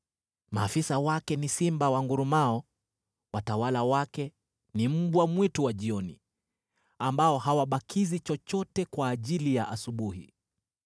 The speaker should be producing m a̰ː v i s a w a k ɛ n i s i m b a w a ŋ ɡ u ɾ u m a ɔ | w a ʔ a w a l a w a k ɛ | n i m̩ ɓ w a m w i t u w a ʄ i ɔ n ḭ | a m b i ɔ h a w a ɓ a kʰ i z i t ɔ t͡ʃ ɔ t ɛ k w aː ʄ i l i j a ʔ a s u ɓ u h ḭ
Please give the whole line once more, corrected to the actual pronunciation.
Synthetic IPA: m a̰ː f i s a w a k ɛ n i s i m b a w a ŋ ɡ u ɾ u m a ɔ | w a t a w a l a w a k ɛ | n i m̩ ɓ w a m w i t u w a ʄ i ɔ n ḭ | a m b a ɔ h a w a ɓ a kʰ i z i t͡ʃ ɔ t͡ʃ ɔ t ɛ k w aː ʄ i l i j a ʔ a s u ɓ u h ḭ